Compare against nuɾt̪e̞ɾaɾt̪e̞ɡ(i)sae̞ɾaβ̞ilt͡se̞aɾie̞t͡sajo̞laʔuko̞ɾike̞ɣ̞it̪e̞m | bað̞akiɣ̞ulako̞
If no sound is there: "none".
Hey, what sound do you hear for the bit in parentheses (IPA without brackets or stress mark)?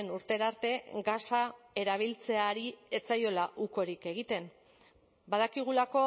a